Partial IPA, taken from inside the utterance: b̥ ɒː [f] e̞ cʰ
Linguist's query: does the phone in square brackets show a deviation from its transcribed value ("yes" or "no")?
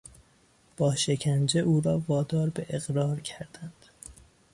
yes